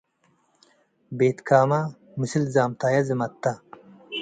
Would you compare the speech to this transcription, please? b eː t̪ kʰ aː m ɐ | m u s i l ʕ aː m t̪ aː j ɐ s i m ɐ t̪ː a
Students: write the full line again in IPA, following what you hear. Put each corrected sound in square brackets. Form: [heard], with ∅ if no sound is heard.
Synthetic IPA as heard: b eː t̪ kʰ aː m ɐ | m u s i l [z] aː m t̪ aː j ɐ [z] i m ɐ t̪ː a